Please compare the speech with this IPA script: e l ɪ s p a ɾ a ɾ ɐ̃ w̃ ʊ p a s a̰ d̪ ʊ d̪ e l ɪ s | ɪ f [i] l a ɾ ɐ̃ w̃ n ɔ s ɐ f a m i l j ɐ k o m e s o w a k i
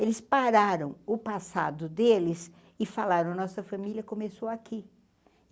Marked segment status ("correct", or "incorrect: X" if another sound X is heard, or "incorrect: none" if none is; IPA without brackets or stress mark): incorrect: a